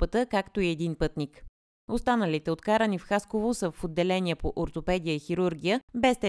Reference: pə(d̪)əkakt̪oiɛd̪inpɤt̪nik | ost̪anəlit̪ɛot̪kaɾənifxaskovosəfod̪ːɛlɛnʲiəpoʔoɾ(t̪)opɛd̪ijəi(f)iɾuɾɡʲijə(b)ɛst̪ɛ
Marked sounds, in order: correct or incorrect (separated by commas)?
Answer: incorrect, correct, incorrect, correct